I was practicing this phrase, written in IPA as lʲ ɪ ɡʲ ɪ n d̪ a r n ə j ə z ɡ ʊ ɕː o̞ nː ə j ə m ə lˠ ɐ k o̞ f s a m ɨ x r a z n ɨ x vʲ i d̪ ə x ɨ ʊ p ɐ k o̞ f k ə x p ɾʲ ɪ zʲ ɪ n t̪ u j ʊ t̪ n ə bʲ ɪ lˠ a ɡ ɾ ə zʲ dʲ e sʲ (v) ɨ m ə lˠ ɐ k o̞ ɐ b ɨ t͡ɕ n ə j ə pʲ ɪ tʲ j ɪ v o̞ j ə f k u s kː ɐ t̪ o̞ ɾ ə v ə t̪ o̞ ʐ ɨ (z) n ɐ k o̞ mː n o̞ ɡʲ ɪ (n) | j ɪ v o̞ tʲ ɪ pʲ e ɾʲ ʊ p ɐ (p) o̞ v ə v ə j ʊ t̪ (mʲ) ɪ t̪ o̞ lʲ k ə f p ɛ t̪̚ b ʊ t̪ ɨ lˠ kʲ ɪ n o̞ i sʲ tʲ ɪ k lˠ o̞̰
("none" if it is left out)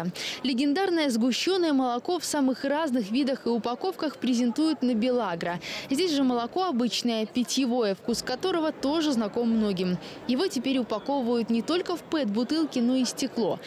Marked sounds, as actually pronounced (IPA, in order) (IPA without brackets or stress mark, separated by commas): ʐ, z, m, k, nʲ